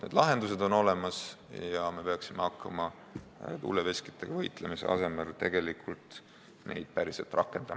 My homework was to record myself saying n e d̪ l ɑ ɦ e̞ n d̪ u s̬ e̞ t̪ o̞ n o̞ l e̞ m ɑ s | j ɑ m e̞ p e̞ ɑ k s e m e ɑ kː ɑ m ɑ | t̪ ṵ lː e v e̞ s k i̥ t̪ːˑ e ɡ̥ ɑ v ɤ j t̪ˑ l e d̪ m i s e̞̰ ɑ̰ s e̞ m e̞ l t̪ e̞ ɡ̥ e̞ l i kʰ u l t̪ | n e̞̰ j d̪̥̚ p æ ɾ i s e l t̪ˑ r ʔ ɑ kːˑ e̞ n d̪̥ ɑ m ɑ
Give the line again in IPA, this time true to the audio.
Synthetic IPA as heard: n e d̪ l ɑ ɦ e̞ n d̪ u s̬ e̞ d̪ o̞ n o̞ l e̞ m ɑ s | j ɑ m e̞ p e̞ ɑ k s i m e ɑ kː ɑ m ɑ | t̪ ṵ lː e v e̞ s k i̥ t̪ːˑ e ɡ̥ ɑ v ɤ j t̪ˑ l e m i s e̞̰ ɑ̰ s e̞ m e̞ l t̪ e̞ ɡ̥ e̞ l i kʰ u l t̪ | n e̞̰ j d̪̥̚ p æ ɾ i s e l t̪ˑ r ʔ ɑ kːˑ e̞ n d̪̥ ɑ m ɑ